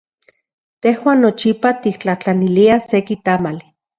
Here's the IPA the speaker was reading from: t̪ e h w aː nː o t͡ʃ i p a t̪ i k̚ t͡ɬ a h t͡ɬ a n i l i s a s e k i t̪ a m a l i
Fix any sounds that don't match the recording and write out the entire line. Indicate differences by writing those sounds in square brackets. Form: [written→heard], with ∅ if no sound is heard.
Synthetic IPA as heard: t̪ e h w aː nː o t͡ʃ i p a t̪ i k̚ t͡ɬ a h t͡ɬ a n i l i [s→∅] a s e k i t̪ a m a l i